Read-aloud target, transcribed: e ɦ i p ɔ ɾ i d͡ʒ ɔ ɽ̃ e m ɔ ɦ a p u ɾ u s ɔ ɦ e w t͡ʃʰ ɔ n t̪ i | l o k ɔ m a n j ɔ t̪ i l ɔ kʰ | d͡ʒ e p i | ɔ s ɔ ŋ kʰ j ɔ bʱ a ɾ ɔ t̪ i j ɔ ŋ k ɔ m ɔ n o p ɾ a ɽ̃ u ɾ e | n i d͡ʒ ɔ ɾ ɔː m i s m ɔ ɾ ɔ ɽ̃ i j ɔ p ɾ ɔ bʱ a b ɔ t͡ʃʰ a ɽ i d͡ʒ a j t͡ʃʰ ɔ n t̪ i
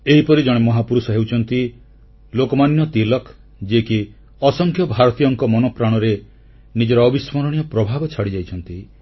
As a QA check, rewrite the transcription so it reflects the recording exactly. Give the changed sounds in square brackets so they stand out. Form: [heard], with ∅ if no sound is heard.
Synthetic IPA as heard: e ɦ i p ɔ ɾ i d͡ʒ ɔ ɽ̃ e m ɔ ɦ a p u ɾ u s ɔ ɦ e w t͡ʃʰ ɔ n t̪ i | l o k ɔ m a n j ɔ t̪ i l ɔ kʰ | d͡ʒ e [k] i | ɔ s ɔ ŋ kʰ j ɔ bʱ a ɾ ɔ t̪ i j ɔ ŋ k ɔ m ɔ n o p ɾ a ɽ̃ [ɔ] ɾ e | n i d͡ʒ ɔ ɾ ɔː [b] i s m ɔ ɾ ɔ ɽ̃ i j ɔ p ɾ ɔ bʱ a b ɔ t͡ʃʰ a ɽ i d͡ʒ a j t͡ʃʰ ɔ n t̪ i